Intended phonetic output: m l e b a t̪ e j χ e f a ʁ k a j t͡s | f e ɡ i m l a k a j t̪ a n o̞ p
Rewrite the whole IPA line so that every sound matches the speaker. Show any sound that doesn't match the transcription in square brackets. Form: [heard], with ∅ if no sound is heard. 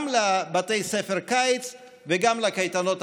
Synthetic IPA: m l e b a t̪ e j [s] e f [e] ʁ k a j t͡s | [v] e ɡ [a] m l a k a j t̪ a n o̞ [t]